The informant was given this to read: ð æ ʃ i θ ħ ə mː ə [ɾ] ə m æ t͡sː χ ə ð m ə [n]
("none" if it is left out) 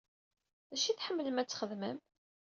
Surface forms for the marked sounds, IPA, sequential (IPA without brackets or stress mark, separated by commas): l, m